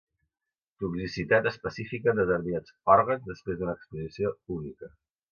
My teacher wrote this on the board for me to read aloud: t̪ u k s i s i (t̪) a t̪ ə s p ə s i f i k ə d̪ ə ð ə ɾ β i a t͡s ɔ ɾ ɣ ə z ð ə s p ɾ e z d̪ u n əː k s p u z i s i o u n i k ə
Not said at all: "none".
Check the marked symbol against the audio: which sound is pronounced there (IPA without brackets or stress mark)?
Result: t̪